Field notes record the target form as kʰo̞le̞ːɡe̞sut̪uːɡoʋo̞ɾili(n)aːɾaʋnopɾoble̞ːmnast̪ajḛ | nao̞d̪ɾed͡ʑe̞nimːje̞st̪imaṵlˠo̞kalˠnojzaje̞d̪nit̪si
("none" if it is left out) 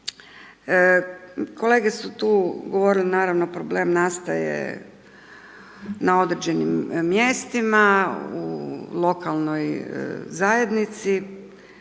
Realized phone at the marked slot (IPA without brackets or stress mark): n